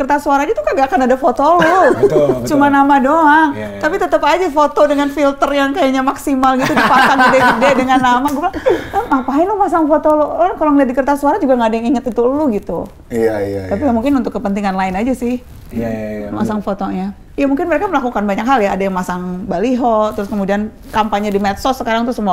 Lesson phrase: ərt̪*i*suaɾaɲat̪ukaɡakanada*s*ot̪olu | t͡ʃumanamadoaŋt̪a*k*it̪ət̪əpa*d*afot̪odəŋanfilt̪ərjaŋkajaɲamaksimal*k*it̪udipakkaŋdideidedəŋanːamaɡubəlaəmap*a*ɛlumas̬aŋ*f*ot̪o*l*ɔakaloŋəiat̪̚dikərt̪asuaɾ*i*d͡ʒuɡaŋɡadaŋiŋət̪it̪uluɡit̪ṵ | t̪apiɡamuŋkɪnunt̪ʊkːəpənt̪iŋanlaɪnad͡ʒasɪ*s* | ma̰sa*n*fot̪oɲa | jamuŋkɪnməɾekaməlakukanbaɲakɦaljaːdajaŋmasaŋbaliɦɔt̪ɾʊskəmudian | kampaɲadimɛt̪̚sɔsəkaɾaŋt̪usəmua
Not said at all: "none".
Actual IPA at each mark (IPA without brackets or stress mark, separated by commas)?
a, f, p, d͡ʒ, ɡ, a, f, l, a, h, ŋ